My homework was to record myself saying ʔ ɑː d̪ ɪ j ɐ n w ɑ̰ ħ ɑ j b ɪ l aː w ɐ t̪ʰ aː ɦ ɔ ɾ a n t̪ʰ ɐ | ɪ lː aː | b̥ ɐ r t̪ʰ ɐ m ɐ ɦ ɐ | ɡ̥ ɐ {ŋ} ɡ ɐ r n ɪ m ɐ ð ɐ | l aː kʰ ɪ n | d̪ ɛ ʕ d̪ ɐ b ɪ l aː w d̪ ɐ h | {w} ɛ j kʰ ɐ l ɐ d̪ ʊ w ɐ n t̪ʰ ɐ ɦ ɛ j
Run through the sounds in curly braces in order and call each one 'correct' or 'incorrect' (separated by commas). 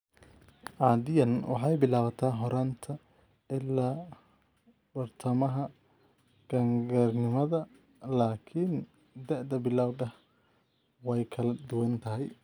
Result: correct, correct